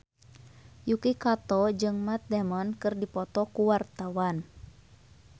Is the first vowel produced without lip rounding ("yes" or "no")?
no